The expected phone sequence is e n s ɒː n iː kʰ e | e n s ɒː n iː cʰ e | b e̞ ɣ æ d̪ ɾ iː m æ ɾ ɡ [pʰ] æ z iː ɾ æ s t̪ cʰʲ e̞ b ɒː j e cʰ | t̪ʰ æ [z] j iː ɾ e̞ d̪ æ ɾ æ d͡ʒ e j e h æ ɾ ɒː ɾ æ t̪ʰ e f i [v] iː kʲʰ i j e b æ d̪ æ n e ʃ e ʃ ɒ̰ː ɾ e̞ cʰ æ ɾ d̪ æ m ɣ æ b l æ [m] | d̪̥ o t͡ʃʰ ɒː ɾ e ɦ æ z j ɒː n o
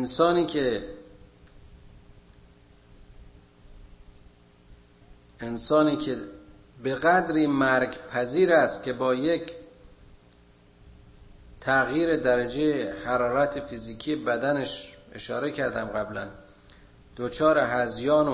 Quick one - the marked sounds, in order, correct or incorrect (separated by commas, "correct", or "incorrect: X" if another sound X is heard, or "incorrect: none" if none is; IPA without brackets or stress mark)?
correct, incorrect: ɣ, incorrect: z, incorrect: n